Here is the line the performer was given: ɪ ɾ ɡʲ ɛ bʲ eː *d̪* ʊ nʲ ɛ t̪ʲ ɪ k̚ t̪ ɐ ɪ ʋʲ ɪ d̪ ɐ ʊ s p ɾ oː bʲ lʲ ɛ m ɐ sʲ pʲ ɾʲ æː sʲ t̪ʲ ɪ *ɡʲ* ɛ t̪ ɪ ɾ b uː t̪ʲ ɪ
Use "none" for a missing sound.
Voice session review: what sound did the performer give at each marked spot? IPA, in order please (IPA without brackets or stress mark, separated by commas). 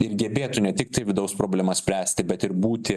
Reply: t̪, bʲ